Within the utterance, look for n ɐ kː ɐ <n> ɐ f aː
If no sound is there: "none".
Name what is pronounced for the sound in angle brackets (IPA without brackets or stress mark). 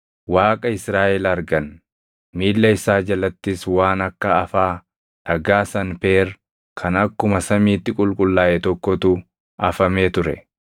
none